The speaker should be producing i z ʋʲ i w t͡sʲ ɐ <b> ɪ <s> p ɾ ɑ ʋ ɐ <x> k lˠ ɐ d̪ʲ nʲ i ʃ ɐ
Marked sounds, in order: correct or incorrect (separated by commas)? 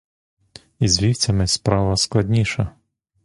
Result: incorrect, correct, incorrect